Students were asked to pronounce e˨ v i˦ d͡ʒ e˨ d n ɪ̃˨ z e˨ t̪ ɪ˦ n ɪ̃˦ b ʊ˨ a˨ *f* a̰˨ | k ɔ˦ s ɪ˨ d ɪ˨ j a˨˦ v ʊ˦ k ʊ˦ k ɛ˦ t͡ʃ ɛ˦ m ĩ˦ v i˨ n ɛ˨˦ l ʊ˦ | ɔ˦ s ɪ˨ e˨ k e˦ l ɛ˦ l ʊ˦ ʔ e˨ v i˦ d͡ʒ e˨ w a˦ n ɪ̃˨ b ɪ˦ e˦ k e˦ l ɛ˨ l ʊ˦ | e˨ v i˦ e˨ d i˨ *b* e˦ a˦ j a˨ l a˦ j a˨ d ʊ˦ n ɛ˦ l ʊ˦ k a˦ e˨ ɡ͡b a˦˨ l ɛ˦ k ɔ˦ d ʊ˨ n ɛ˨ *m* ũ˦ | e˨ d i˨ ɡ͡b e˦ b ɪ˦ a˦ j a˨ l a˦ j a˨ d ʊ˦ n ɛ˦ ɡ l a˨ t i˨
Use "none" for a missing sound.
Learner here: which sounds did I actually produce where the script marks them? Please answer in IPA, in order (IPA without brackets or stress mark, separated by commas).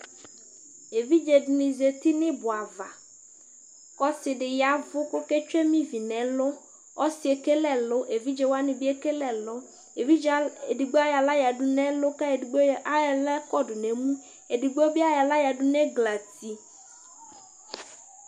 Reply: v, ɡ͡b, m